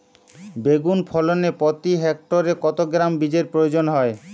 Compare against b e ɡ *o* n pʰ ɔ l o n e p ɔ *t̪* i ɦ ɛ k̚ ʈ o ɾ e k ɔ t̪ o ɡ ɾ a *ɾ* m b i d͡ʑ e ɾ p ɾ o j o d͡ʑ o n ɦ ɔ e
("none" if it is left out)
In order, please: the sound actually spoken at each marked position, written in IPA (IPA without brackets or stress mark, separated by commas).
u, t̪, none